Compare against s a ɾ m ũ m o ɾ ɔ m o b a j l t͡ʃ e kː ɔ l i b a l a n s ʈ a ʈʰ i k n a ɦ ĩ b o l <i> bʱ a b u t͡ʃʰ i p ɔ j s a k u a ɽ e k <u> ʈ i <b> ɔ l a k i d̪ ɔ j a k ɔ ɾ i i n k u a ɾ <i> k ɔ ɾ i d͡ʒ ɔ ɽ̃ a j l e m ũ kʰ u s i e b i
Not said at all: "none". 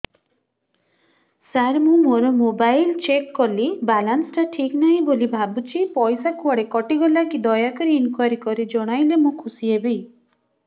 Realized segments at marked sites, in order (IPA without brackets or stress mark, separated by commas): i, ɔ, ɡ, i